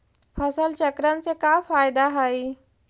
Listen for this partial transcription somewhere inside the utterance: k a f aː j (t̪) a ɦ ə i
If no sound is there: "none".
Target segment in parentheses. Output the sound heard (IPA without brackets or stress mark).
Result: d̪